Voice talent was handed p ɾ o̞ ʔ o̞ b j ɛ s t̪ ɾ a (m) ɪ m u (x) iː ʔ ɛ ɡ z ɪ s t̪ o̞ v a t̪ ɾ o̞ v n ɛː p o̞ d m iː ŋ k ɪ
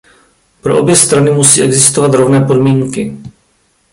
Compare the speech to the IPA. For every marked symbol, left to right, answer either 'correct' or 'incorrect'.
incorrect, incorrect

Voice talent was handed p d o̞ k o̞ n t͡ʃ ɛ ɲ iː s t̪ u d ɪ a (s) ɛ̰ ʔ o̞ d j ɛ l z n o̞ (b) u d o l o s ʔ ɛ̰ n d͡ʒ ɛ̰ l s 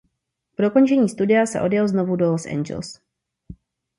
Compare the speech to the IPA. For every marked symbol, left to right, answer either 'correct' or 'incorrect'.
correct, incorrect

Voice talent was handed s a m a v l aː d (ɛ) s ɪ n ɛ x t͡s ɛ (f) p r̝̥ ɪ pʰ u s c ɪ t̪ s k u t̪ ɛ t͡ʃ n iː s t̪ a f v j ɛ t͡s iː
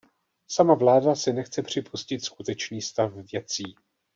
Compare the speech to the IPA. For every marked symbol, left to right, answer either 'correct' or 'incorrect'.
incorrect, incorrect

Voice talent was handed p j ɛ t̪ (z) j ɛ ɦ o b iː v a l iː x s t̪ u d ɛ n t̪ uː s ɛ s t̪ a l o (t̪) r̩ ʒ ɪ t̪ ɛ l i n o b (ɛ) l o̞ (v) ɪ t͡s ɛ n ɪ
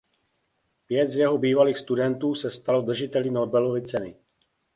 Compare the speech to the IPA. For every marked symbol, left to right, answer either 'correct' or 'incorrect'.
correct, incorrect, correct, correct

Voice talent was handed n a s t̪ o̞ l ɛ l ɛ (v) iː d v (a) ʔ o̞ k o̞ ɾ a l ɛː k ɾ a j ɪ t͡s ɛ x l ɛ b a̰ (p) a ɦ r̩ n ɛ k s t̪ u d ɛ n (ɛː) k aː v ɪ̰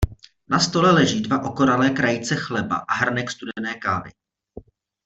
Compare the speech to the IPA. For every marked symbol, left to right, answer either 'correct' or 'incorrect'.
incorrect, correct, incorrect, correct

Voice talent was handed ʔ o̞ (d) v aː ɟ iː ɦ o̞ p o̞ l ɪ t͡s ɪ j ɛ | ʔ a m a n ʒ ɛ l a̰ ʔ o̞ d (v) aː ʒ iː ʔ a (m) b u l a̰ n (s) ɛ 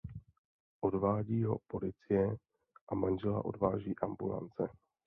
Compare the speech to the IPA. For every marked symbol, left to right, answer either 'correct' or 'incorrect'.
correct, correct, correct, incorrect

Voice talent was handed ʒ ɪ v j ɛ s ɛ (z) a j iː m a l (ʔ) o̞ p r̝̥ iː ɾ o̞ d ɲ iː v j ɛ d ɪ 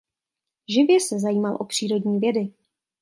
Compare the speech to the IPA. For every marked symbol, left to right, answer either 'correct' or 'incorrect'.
correct, correct

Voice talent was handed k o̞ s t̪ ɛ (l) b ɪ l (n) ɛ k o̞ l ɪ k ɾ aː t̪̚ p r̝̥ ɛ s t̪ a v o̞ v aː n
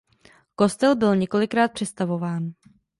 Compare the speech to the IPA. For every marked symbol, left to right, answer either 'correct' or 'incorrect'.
correct, incorrect

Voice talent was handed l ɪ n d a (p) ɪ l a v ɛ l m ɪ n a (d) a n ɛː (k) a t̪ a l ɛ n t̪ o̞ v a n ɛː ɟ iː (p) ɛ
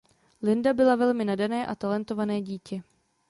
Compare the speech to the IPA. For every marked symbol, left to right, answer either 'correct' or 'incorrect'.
incorrect, correct, incorrect, incorrect

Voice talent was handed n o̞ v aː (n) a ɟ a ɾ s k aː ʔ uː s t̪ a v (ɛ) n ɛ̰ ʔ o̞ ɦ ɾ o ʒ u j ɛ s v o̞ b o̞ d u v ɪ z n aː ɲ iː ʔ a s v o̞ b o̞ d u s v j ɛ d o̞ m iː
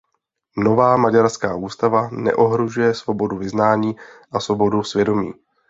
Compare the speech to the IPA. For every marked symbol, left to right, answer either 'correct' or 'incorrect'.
incorrect, incorrect

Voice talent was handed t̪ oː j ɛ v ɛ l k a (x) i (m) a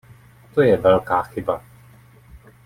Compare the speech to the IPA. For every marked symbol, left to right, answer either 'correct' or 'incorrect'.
correct, incorrect

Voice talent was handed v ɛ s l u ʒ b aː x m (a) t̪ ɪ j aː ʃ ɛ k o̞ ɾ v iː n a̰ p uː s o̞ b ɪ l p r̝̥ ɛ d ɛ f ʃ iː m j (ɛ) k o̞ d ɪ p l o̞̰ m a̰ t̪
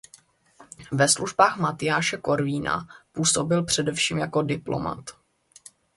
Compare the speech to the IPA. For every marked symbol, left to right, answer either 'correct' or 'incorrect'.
correct, incorrect

